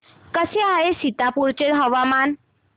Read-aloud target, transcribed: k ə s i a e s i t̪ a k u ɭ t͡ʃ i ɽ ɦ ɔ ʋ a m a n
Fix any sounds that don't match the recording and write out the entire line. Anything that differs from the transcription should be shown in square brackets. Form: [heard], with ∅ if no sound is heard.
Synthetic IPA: k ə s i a e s i t̪ a [p] u [ɾ] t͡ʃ [e] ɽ ɦ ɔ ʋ a m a n